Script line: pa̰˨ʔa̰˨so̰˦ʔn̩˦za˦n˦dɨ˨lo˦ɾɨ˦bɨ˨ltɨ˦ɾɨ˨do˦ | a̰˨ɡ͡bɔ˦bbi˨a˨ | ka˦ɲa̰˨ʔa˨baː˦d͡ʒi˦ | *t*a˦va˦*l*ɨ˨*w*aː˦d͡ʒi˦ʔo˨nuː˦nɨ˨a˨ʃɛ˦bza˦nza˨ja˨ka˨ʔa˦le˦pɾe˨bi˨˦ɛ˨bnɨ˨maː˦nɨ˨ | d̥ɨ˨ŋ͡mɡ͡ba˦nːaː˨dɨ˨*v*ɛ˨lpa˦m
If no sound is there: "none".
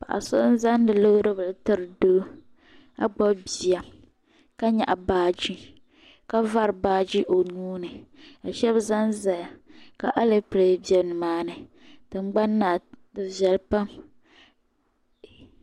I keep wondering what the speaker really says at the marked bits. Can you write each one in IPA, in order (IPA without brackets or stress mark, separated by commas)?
k, ɾ, b, v